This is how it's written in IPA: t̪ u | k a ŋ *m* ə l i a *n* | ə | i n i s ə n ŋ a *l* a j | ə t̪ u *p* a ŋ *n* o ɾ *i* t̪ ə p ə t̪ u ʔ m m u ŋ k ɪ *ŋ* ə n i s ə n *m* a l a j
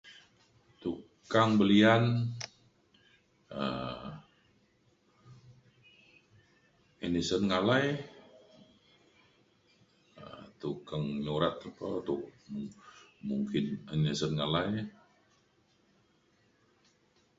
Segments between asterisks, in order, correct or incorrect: incorrect: b, correct, correct, incorrect: k, incorrect: ɲ, incorrect: a, incorrect: n, incorrect: ŋ

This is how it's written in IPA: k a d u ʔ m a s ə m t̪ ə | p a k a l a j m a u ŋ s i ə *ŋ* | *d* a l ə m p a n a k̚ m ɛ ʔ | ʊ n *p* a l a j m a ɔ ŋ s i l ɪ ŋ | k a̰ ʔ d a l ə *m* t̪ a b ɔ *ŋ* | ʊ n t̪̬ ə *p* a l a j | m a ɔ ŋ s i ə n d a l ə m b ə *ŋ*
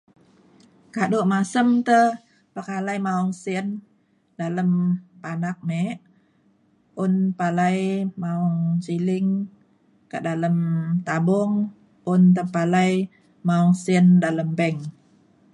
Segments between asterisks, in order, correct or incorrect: incorrect: n, correct, correct, correct, correct, correct, correct

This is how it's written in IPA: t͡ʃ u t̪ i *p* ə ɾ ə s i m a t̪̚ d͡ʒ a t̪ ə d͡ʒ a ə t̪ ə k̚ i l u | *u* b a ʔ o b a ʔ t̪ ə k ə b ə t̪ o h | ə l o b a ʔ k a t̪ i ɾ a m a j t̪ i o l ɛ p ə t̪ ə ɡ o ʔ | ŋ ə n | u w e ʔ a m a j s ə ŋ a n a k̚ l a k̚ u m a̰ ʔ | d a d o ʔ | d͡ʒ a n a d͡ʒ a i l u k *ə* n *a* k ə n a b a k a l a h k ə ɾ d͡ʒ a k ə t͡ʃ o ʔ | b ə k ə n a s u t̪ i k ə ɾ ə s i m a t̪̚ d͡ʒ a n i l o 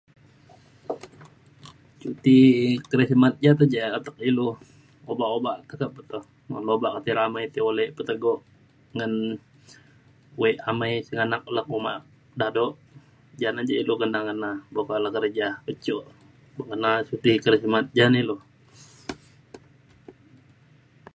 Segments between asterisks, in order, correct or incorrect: incorrect: k, incorrect: o, correct, correct

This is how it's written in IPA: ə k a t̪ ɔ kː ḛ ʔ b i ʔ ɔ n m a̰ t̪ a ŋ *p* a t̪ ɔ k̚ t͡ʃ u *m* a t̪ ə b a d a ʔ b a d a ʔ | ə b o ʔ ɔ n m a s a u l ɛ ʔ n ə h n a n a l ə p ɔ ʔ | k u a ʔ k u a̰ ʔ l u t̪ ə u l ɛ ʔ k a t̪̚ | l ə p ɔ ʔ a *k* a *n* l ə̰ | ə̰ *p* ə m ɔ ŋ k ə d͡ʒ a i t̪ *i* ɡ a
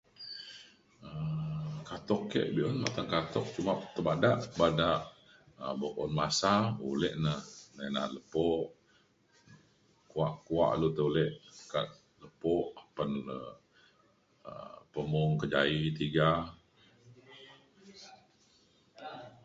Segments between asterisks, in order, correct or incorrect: incorrect: k, correct, incorrect: p, correct, correct, correct

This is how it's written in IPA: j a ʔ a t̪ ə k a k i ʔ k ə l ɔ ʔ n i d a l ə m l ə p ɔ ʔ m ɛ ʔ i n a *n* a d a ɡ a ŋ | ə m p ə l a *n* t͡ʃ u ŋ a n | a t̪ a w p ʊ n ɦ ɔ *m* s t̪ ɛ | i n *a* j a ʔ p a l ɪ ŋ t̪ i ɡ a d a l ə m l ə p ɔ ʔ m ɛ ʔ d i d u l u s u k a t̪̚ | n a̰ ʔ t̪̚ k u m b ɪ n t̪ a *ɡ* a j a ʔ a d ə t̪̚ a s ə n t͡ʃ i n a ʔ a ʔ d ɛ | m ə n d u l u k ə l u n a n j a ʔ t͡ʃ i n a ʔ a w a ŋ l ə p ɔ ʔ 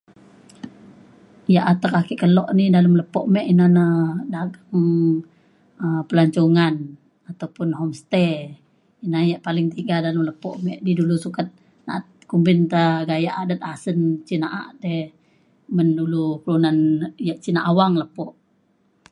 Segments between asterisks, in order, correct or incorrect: correct, incorrect: ɲ, correct, correct, correct

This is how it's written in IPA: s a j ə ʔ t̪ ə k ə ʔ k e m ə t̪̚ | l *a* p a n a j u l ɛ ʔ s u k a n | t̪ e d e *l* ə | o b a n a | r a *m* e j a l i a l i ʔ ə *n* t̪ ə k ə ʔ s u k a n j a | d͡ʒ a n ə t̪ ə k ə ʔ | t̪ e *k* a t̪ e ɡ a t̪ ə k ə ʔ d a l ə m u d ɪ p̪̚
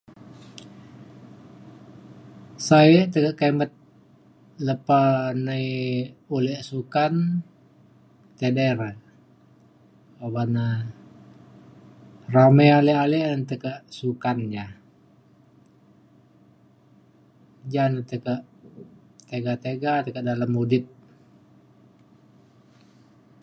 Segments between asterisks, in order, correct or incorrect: incorrect: ə, incorrect: ɾ, correct, correct, incorrect: ɡ

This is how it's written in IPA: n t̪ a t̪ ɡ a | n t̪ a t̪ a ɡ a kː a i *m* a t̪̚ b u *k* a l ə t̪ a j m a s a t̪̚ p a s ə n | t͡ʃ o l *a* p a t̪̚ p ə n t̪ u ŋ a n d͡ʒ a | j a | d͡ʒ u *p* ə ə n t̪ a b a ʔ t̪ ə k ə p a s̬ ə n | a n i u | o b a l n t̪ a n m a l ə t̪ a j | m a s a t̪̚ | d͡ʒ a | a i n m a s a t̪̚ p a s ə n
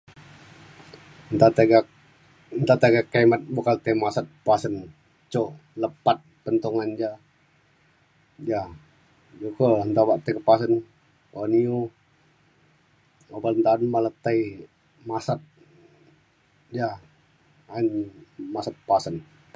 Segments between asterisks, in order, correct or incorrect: correct, correct, incorrect: ə, incorrect: k

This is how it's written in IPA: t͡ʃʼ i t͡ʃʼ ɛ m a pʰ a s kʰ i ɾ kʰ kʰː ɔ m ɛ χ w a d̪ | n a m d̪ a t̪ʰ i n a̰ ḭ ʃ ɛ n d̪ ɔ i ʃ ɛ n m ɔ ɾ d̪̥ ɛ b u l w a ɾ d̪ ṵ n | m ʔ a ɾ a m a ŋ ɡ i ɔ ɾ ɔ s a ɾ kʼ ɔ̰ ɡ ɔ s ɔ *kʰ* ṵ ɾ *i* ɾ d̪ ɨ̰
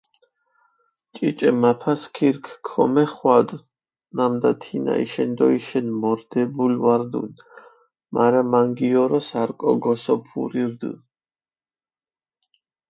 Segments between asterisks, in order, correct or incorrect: incorrect: pʰ, correct

